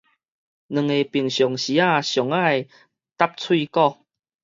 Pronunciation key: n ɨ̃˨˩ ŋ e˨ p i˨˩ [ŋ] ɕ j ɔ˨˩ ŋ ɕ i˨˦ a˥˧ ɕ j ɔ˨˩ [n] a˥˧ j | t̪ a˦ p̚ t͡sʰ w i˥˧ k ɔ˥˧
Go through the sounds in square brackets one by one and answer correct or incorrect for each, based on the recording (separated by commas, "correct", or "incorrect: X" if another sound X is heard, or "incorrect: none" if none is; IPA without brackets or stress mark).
correct, incorrect: ŋ